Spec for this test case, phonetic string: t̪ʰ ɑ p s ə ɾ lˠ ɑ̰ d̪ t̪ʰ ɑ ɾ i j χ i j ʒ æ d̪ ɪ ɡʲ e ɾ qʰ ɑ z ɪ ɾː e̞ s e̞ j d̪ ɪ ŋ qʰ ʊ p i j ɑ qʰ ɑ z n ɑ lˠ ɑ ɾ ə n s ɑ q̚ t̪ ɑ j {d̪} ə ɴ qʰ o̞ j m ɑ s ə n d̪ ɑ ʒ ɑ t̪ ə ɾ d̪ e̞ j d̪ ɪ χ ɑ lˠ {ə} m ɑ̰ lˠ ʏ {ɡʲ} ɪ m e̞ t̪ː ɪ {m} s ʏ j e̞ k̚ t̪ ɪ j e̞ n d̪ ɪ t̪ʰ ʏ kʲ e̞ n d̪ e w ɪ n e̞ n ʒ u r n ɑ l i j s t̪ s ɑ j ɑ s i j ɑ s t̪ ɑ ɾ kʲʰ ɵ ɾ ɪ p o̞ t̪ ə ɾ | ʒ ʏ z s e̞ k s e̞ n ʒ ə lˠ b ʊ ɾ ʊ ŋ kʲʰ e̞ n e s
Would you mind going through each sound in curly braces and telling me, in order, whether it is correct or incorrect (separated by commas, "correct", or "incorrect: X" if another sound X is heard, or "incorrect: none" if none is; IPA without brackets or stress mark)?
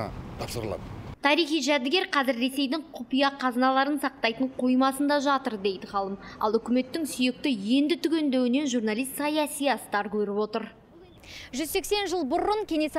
incorrect: t̪, correct, incorrect: kʲ, incorrect: ŋ